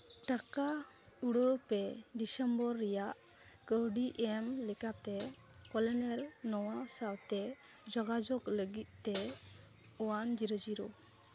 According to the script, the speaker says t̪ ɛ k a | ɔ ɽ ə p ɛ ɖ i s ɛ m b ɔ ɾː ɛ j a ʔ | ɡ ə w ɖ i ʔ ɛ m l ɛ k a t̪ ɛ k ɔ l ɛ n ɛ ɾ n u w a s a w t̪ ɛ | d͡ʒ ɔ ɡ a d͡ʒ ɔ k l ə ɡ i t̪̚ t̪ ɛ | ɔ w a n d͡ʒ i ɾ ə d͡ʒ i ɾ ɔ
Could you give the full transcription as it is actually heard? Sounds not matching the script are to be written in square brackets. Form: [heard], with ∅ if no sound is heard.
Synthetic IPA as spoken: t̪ [a] k a | [u] ɽ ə p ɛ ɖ i s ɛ m b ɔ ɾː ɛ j a ʔ | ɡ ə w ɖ i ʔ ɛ m l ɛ k a t̪ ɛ k ɔ l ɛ n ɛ ɾ n [ɔ] w a s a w t̪ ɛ | d͡ʒ ɔ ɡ a d͡ʒ ɔ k l ə ɡ i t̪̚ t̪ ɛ | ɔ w a n d͡ʒ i ɾ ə d͡ʒ i ɾ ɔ